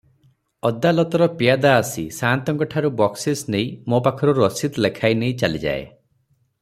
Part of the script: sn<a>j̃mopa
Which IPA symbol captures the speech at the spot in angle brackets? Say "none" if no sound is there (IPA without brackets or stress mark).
e